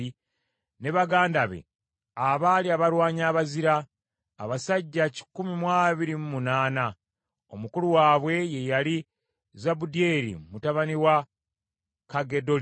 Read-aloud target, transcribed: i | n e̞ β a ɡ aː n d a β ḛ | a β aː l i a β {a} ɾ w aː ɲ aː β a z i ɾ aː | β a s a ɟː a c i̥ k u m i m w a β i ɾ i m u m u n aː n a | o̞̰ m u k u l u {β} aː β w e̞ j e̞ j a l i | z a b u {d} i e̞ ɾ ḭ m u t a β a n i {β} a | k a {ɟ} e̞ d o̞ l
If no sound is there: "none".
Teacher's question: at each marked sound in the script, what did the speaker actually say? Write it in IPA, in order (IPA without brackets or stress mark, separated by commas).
a, w, d, w, ɡ